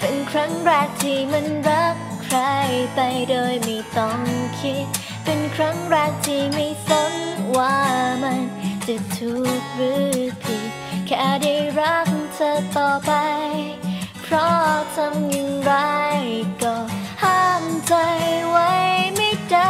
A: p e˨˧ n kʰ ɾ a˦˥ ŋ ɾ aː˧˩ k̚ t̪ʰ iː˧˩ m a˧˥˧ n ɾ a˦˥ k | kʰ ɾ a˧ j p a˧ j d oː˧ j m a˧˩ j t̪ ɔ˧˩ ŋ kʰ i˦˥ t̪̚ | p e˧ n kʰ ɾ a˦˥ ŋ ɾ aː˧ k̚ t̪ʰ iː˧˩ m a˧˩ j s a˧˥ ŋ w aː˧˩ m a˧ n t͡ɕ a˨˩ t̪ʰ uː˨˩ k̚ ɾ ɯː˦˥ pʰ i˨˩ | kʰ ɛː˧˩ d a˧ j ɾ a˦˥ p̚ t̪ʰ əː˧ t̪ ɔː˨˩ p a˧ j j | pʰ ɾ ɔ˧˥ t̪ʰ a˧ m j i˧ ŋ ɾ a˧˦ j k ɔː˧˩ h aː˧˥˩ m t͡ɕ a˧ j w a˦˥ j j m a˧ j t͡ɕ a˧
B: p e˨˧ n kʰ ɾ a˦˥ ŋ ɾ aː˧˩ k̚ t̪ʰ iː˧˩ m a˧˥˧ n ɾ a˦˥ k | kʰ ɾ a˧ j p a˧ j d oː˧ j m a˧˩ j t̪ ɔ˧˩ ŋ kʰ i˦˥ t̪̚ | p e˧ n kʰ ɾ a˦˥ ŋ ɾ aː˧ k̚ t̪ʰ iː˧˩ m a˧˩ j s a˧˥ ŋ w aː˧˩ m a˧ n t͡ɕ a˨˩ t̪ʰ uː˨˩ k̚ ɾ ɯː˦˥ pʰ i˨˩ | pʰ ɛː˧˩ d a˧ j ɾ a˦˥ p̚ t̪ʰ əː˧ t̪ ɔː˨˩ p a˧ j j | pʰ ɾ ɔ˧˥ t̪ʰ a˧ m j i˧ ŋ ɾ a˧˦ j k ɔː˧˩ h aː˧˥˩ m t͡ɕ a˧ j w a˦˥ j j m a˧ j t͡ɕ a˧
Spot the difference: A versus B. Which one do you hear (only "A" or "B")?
A